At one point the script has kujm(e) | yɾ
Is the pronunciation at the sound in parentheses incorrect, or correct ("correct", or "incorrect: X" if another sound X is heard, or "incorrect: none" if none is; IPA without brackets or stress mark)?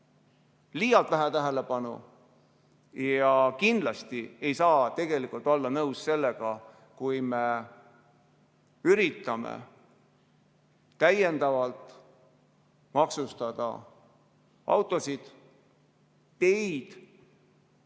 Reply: correct